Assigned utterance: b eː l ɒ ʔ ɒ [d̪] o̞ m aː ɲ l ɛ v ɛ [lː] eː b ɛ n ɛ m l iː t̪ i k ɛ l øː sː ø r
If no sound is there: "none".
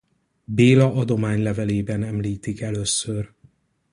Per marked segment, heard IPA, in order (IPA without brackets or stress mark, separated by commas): d̪, l